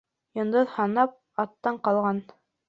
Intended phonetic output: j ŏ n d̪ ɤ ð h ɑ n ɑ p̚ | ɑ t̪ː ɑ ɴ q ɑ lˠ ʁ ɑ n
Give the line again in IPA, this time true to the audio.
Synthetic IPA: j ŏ n d̪ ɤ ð h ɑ n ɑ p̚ | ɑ t̪ː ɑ ɴ q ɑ lˠ ʁ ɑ n

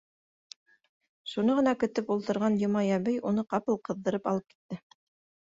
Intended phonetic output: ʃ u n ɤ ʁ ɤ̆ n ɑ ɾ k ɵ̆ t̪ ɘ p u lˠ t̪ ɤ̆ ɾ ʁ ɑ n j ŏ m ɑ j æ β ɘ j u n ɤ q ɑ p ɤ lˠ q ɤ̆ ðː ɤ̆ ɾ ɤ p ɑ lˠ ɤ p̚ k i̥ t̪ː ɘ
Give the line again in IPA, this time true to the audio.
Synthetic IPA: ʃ u n ɤ ʁ ɤ̆ n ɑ k ɵ̆ t̪ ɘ p u lˠ t̪ ɤ̆ ɾ ʁ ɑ n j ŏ m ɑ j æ β ɘ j u n ɤ q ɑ p ɤ lˠ q ɤ̆ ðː ɤ̆ ɾ ɤ p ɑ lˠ ɤ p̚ k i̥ t̪ː ɘ

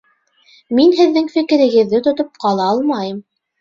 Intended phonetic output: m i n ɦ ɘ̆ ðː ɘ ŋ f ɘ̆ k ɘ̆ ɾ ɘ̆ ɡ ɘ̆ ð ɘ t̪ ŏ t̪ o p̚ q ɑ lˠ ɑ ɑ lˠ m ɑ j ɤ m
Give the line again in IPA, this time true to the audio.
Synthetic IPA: m i n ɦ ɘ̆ ðː ɘ ŋ f ɘ̆ k ɘ̆ ɾ ɘ̆ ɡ ɘ̆ ðː ɘ t̪ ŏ t̪ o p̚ q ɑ lˠ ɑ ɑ lˠ m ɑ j ɤ m

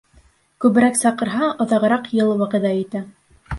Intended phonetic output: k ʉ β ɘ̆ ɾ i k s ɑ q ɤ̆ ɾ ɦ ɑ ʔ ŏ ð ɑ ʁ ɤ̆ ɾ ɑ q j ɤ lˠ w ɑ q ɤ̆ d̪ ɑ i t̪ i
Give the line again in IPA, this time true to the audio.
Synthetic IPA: k ʉ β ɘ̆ ɾ æ k s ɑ q ɤ̆ ɾ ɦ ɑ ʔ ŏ ð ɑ ʁ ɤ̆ ɾ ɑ q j ɤ lˠ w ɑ q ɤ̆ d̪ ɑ i t̪ æ

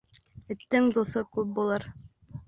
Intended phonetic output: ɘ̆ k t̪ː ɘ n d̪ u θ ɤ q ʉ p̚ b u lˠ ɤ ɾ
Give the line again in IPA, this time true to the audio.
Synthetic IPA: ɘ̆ t̪ː ɘ ŋ d̪ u θ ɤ k ʉ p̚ b u lˠ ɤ ɾ

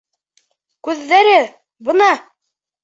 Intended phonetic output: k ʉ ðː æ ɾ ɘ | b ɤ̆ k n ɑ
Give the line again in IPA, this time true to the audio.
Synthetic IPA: k ʉ ðː æ ɾ ɘ | b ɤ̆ n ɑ

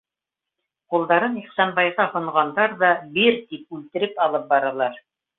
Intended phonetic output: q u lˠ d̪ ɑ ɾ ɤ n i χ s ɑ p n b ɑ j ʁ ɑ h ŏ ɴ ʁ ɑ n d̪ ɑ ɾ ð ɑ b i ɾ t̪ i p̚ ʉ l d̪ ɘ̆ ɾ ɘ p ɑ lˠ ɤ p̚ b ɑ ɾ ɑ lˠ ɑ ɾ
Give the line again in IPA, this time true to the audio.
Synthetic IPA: q u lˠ d̪ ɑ ɾ ɤ n i χ s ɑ n b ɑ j ʁ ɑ h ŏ ɴ ʁ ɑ n d̪ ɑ ɾ ð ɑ b i ɾ t̪ i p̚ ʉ l t̪ ɘ̆ ɾ ɘ p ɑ lˠ ɤ p̚ b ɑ ɾ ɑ lˠ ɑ ɾ

